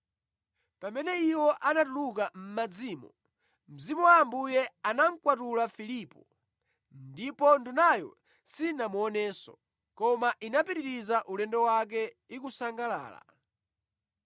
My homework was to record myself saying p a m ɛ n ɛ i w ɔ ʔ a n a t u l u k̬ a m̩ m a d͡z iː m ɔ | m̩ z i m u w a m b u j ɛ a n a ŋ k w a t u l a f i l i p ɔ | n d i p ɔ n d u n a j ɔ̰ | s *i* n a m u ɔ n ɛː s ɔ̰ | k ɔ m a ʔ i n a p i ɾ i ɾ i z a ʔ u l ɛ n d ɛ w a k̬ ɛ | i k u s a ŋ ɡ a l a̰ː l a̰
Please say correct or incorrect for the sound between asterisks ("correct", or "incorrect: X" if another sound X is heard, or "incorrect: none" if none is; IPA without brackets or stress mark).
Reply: correct